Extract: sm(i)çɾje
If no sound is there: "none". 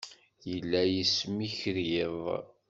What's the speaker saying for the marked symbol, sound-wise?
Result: i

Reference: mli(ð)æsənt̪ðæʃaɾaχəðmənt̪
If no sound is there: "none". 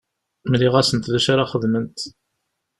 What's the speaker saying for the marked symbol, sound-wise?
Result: ʁ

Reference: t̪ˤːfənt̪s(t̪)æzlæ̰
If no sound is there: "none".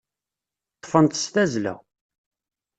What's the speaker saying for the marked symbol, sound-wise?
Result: t̪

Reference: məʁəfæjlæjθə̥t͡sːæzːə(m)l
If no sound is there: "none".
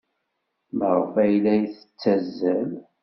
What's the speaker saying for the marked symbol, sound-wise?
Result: none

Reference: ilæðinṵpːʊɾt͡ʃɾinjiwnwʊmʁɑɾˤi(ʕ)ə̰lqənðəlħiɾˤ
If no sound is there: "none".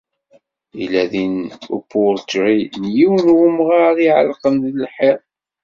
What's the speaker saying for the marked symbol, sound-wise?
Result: ʕ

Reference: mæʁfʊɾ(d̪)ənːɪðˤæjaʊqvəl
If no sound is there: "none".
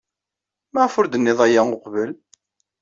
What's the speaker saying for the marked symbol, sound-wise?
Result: d̪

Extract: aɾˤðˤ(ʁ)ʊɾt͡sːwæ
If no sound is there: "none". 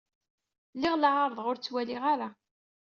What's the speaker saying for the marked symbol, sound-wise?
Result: ʁ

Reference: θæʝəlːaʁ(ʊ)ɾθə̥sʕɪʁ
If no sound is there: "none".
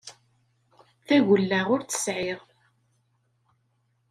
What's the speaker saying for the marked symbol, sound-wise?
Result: ʊ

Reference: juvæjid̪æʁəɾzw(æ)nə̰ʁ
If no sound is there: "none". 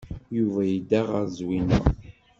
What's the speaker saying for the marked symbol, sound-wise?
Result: i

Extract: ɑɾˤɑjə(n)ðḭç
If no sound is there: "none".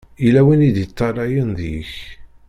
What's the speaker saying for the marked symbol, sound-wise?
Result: n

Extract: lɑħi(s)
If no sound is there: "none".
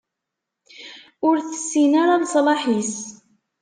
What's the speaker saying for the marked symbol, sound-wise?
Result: s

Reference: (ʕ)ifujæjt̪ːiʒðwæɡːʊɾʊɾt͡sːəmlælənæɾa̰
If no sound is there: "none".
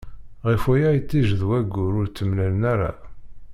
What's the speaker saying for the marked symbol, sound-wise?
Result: ʁ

